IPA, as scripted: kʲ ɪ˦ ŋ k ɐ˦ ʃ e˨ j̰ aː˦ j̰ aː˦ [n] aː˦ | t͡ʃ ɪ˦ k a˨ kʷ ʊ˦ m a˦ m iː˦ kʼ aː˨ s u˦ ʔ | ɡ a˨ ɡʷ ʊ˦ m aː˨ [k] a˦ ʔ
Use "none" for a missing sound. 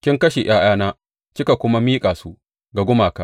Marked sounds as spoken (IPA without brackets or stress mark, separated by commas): n, k